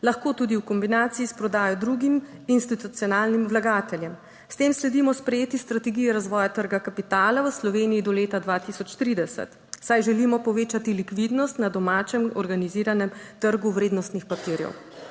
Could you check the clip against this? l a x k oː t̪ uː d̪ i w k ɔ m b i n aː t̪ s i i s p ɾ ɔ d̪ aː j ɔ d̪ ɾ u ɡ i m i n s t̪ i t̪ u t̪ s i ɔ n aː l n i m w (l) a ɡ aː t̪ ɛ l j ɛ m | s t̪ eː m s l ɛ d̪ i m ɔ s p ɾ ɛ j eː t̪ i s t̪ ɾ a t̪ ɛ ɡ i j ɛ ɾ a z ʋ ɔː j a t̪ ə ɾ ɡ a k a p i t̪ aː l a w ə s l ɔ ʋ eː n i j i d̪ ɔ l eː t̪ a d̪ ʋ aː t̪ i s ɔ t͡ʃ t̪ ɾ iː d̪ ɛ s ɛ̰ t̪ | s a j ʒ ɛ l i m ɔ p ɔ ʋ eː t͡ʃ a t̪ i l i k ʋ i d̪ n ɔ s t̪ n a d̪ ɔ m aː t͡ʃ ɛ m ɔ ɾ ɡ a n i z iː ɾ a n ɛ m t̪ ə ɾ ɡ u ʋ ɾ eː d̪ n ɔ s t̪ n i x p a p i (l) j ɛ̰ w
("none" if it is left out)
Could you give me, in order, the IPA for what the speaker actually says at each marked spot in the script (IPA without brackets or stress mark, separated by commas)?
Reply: l, ɾ